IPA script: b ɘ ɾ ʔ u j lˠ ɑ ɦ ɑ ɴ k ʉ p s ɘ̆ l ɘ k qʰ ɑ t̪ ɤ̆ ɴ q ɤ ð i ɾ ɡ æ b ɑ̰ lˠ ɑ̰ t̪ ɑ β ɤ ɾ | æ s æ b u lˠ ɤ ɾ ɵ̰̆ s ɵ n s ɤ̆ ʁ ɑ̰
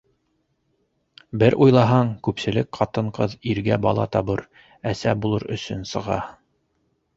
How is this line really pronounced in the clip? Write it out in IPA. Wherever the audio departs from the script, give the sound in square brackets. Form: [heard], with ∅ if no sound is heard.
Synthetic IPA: b ɘ ɾ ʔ u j lˠ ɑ ɦ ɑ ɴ k ʉ p s ɘ̆ l ɘ k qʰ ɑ t̪ ɤ̆ ɴ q ɤ ð i ɾ ɡ æ b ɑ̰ lˠ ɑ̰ t̪ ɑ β ɤ ɾ | æ s æ b u lˠ ɤ ɾ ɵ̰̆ s ɵ n s ɤ̆ ʁ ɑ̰